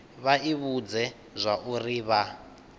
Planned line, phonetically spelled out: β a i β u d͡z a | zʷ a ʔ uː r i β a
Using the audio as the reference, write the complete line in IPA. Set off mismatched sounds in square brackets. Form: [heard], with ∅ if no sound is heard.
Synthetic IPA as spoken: β a i β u d͡z [ɛ] | zʷ a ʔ [u] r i β a

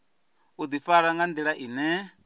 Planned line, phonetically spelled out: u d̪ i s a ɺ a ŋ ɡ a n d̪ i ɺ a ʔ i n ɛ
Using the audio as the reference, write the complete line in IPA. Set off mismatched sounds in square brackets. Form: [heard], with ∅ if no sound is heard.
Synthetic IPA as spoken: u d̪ i [f] a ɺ a ŋ ɡ a n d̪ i ɺ a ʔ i n ɛ

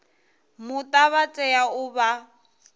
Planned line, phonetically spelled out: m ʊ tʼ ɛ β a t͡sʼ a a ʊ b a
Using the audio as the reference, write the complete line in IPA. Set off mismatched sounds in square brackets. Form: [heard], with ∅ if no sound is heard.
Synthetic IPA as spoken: m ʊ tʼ [a] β a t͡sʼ [ɛ] a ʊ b a

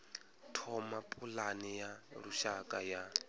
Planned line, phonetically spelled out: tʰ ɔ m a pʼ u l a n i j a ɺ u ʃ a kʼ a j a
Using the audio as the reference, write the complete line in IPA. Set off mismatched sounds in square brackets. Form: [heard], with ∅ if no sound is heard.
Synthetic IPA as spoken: tʰ ɔ m a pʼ u l a n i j a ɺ u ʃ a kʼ a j a

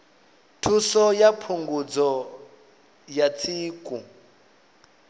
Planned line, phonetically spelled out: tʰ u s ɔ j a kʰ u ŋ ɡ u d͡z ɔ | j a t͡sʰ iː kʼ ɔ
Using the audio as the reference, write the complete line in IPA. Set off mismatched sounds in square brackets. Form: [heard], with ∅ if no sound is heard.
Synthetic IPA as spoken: tʰ u s ɔ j a [pʰ] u ŋ ɡ u d͡z ɔ | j a t͡sʰ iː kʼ [u]

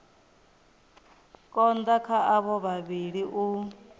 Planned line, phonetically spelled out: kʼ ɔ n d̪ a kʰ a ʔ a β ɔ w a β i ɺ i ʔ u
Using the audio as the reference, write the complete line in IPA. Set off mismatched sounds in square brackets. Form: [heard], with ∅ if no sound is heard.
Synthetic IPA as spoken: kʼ ɔ n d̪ a kʰ a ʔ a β ɔ [β] a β i ɺ i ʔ u

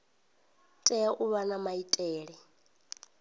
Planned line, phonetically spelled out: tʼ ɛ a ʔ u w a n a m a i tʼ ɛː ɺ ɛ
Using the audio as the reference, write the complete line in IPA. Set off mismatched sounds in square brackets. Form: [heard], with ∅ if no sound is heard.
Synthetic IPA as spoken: tʼ ɛ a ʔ u [β] a n a m a i tʼ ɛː ɺ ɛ

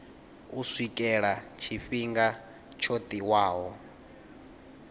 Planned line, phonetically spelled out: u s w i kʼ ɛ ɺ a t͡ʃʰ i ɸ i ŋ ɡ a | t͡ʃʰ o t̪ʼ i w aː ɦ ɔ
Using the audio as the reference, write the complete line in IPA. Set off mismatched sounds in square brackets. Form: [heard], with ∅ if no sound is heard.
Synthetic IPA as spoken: u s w i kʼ ɛ ɺ a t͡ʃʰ i ɸ i ŋ ɡ a | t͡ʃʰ o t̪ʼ i w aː ɦ ɔ

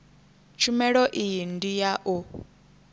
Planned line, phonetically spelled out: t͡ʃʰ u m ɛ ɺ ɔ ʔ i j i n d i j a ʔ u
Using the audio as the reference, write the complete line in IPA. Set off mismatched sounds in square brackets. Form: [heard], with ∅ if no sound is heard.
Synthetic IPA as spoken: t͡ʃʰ u m ɛ ɺ ɔ ʔ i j i n d i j a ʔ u

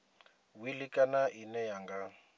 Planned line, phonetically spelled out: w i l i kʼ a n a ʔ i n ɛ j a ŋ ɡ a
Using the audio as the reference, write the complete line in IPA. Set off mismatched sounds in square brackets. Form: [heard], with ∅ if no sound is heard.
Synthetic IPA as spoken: w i l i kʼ a n a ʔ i n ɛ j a ŋ ɡ a

